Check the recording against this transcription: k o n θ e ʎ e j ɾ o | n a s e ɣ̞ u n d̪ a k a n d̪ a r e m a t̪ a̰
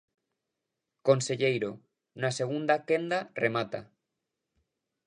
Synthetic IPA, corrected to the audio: k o n s e ʎ e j ɾ o | n a s e ɣ̞ u n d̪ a k e n d̪ a r e m a t̪ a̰